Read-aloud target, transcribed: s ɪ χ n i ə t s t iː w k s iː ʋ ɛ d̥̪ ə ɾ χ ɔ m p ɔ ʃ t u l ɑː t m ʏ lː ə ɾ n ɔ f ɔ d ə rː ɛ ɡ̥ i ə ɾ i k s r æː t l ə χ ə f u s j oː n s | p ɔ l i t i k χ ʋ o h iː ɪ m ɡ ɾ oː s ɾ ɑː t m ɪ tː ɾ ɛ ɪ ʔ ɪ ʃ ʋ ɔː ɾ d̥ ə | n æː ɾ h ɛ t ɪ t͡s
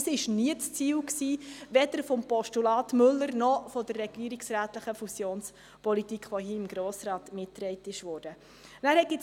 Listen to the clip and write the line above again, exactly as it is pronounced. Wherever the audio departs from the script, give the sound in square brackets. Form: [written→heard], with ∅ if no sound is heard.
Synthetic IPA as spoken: s ɪ [χ→ʃ] n i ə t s [t→t͡s] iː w k s iː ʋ ɛ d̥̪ ə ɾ [χ→f] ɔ m p ɔ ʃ t u l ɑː t m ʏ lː ə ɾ n ɔ f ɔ d ə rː ɛ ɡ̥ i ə ɾ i k s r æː t l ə χ ə f u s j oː n s | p ɔ l i t i k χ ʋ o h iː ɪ m ɡ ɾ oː s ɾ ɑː t m ɪ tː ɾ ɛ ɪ [ʔ→t] ɪ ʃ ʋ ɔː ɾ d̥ ə | n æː ɾ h ɛ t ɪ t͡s